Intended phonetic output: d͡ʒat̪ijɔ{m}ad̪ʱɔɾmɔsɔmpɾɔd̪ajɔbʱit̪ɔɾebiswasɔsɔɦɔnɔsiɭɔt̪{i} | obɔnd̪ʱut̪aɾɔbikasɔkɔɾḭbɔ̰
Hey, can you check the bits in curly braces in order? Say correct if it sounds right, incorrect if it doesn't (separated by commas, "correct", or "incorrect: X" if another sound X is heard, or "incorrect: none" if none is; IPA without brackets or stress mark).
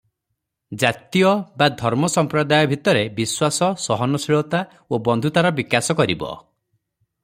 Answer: incorrect: b, incorrect: a